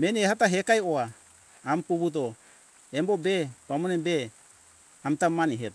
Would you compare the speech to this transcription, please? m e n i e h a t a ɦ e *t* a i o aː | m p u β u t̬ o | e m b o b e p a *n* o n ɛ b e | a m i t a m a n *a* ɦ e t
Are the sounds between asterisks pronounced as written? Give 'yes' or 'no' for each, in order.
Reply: no, no, no

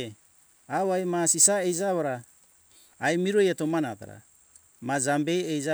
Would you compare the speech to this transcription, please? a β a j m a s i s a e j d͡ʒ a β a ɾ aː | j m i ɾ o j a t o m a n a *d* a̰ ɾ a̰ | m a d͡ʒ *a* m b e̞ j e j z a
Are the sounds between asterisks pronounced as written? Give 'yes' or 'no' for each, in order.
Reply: no, yes

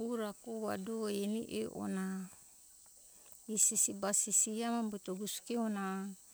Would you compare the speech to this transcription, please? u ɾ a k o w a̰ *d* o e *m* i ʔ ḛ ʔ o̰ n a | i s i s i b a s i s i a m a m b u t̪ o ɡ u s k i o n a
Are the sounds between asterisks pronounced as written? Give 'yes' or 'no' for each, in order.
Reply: yes, no

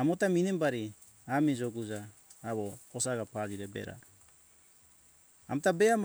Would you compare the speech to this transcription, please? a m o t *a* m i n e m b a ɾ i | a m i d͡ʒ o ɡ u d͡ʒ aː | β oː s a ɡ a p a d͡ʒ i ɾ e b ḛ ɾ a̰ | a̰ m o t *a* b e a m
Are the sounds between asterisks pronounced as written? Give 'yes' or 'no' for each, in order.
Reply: yes, yes

